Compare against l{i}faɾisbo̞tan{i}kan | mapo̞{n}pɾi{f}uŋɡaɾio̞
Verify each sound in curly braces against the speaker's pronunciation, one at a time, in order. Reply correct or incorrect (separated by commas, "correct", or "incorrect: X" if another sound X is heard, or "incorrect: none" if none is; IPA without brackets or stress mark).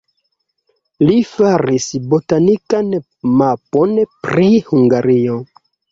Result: correct, correct, correct, incorrect: h